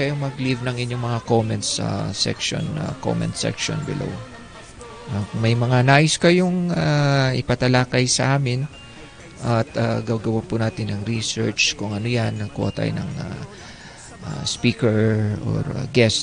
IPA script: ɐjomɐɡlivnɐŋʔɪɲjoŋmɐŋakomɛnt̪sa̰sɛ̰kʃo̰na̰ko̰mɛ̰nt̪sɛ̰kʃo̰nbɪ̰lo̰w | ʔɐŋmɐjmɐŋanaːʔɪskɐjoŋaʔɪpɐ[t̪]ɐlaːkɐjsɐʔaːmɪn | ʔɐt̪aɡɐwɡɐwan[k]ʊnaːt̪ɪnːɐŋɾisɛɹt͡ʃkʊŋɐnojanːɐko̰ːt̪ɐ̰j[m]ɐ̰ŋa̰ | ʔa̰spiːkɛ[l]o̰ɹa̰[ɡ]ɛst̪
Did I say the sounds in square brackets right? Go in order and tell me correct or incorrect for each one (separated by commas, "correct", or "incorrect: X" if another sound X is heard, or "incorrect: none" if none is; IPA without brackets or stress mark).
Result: correct, incorrect: p, incorrect: n, incorrect: ɹ, correct